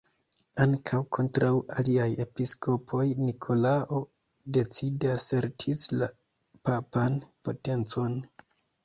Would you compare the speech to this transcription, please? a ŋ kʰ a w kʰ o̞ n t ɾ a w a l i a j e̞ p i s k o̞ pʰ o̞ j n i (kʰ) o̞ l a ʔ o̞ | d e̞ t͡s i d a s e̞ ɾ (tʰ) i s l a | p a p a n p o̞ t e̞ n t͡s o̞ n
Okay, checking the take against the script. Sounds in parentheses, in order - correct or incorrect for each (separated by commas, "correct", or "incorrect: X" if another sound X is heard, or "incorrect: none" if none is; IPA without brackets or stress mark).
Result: correct, correct